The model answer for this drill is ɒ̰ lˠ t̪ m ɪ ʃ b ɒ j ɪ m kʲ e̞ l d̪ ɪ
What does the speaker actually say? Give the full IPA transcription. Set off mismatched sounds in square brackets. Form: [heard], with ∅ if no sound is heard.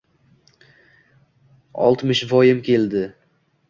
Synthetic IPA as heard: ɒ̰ lˠ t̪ m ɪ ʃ [v] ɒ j ɪ m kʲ e̞ l d̪ ɪ